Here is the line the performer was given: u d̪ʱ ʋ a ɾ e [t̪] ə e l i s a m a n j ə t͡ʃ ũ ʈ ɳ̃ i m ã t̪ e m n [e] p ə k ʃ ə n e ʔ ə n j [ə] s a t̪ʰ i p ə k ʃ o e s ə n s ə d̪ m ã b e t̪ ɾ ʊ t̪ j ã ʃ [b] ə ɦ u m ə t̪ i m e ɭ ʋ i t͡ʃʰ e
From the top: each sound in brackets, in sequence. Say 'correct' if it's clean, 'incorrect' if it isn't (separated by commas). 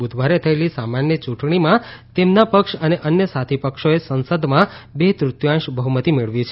incorrect, incorrect, correct, correct